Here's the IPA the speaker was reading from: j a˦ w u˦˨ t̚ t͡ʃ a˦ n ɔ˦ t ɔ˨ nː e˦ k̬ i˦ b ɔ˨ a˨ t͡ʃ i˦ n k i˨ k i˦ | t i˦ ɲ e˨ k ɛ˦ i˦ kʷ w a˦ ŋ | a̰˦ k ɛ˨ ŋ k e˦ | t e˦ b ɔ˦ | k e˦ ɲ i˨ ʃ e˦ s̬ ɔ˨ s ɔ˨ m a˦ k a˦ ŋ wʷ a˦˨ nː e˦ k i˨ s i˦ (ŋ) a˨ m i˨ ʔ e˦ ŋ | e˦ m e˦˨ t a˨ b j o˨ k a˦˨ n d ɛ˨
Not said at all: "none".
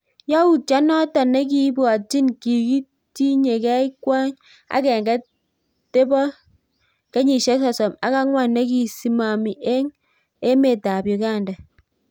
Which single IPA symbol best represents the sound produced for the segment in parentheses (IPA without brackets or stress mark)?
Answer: m